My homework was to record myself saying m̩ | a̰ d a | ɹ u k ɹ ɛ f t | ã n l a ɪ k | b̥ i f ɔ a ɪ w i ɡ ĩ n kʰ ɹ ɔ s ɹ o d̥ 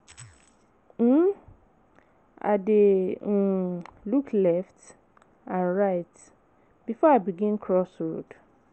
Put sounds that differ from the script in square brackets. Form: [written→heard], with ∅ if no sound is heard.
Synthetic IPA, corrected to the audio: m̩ | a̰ d [a→e] | [ɹ→l] u k [ɹ→l] ɛ f t | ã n [l→ɹ] a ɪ [k→t] | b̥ i f ɔ a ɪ [w→b] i ɡ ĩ n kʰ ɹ ɔ s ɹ o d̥